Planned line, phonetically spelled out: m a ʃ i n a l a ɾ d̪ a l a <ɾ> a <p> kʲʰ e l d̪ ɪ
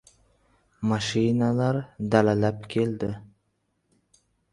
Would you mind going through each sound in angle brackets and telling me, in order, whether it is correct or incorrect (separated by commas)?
incorrect, correct